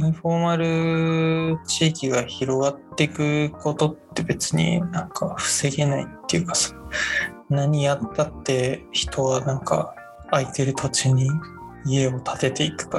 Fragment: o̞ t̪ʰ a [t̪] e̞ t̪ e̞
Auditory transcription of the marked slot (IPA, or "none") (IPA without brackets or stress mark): t̪